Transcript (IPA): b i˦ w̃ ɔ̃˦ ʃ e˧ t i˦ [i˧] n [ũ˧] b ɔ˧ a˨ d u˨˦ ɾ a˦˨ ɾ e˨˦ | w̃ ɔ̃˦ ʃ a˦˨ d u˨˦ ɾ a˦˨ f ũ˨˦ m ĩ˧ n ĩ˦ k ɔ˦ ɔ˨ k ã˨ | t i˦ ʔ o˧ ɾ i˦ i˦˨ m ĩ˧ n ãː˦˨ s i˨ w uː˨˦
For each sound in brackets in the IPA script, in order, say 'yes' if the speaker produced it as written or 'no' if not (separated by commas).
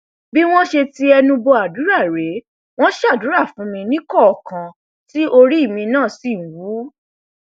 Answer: no, yes